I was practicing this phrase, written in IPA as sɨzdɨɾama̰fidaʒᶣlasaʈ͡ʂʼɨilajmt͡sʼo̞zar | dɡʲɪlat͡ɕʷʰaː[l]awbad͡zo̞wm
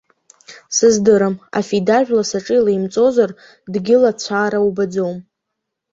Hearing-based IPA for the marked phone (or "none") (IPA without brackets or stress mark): ɾ